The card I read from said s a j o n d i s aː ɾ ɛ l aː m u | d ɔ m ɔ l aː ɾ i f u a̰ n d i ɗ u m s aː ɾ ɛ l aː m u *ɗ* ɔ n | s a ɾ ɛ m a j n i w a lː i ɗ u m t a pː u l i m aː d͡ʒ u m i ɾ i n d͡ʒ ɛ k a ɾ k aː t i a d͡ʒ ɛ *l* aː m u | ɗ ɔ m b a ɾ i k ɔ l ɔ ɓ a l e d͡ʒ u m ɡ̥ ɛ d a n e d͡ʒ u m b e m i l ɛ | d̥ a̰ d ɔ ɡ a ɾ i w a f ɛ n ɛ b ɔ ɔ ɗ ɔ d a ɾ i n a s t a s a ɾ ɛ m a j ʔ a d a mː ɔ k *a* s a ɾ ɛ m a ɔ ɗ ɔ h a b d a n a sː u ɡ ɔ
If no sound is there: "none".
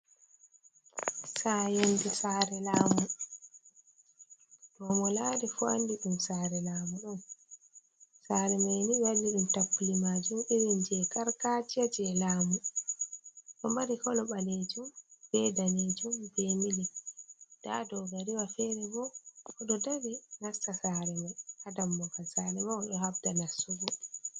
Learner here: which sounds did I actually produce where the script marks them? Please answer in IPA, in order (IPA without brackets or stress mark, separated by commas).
ɗ, l, a